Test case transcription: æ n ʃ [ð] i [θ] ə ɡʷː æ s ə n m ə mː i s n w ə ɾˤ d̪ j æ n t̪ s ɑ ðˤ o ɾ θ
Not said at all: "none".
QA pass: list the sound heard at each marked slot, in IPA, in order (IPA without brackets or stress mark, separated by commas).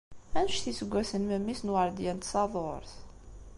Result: θ, s